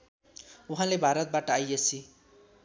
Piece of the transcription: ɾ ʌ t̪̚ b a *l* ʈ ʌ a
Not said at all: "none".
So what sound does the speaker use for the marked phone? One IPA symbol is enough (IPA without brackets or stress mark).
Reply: none